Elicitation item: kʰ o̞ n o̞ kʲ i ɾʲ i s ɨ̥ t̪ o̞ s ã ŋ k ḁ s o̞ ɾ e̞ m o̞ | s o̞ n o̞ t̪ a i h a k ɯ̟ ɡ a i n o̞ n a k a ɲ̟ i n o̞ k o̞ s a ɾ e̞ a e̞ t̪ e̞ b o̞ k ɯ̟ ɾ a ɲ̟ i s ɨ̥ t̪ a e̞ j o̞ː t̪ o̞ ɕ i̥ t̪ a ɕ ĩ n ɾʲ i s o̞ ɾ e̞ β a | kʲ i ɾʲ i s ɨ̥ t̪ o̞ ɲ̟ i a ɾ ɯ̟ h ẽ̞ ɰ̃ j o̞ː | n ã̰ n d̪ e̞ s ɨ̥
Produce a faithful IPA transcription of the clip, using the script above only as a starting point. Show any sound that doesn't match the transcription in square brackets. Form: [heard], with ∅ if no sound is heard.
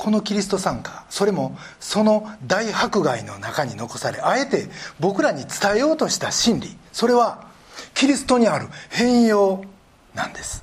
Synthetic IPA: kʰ o̞ n o̞ kʲ i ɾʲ i s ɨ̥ t̪ o̞ s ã ŋ k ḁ s o̞ ɾ e̞ m o̞ | s o̞ n o̞ [d̪] a i h a k ɯ̟ ɡ a i n o̞ n a k a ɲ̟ i n o̞ k o̞ s a ɾ e̞ a e̞ t̪ e̞ b o̞ k ɯ̟ ɾ a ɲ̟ i [t͡s] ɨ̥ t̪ a e̞ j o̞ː t̪ o̞ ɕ i̥ t̪ a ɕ ĩ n ɾʲ i s o̞ ɾ e̞ β a | kʲ i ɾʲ i s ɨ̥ t̪ o̞ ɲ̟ i a ɾ ɯ̟ h ẽ̞ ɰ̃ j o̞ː | n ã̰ n d̪ e̞ s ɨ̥